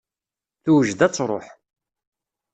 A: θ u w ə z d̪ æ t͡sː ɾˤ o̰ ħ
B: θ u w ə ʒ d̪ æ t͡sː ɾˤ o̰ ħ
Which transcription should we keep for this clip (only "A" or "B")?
B